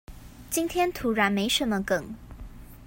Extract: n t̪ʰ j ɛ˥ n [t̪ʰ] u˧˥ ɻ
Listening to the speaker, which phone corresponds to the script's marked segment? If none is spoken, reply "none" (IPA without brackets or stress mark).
t̪ʰ